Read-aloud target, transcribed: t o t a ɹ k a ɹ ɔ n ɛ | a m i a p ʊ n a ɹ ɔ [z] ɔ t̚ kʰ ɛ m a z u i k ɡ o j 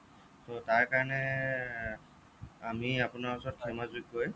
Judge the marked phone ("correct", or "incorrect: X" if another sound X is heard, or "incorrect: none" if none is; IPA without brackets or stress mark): incorrect: s